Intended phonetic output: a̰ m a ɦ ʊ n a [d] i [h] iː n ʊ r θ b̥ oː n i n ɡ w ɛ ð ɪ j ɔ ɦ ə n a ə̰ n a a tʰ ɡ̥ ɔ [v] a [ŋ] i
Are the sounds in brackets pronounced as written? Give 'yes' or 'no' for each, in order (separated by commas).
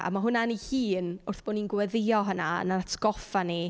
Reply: no, yes, no, no